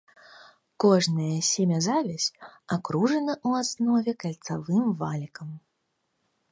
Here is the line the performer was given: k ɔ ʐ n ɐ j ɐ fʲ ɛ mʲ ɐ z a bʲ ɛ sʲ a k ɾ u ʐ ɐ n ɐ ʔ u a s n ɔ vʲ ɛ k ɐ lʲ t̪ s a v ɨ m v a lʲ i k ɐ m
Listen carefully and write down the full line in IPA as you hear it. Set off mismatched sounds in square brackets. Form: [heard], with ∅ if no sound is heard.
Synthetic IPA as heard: k ɔ ʐ n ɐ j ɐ [sʲ] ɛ mʲ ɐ z a [vʲ] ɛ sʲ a k ɾ u ʐ ɐ n ɐ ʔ u a s n ɔ vʲ ɛ k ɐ lʲ t̪ s a v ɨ m v a lʲ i k ɐ m